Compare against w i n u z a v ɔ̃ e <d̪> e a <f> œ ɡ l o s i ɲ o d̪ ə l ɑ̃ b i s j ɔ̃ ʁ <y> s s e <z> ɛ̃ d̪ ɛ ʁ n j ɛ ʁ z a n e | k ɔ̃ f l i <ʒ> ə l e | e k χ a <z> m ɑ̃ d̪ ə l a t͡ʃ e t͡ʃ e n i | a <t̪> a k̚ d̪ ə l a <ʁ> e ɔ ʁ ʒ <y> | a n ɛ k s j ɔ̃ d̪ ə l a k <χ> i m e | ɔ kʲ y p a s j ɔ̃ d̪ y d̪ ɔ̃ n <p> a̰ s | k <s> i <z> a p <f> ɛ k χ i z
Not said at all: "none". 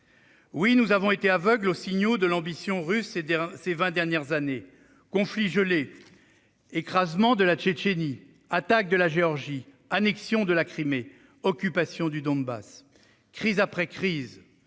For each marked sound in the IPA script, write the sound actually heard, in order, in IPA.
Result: t̪, v, y, v, ʒ, z, t̪, ʒ, i, χ, b, χ, z, χ

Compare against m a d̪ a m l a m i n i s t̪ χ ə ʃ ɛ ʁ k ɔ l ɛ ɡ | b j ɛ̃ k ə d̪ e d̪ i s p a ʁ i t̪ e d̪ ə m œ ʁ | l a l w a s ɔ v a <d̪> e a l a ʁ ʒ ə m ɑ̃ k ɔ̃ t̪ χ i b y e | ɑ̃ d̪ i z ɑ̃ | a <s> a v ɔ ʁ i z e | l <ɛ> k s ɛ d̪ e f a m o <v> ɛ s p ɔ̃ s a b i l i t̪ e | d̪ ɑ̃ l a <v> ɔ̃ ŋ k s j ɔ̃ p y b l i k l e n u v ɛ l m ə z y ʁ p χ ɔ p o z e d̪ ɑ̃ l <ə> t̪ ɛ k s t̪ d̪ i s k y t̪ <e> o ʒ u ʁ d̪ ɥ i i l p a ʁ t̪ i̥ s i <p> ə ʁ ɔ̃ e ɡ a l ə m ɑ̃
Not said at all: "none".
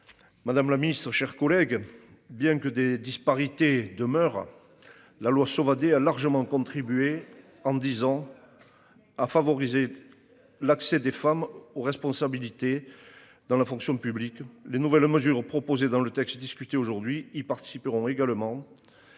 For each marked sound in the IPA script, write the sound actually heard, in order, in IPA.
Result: d̪, f, a, ʁ, f, ə, e, p

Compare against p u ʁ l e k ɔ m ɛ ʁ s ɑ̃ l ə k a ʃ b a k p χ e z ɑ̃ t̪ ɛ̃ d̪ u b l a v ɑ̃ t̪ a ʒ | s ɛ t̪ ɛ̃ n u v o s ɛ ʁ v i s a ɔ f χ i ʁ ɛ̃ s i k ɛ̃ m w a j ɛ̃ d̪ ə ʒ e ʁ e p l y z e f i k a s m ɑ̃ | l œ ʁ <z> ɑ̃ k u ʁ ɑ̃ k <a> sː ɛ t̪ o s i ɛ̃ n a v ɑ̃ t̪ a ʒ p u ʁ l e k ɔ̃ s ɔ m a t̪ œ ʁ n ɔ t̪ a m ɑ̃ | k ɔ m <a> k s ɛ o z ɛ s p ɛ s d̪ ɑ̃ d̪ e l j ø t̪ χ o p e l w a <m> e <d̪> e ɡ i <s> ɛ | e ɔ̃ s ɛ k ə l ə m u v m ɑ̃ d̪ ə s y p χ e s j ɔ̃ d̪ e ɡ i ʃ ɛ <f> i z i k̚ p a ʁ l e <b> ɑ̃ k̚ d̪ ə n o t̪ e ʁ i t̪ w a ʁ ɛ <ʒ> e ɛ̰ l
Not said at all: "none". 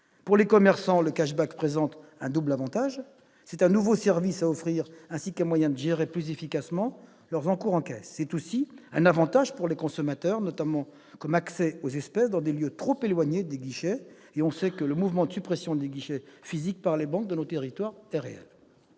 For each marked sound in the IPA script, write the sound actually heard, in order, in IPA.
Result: z, ɛ, a, ɲ, d̪, ʃ, f, b, ʁ

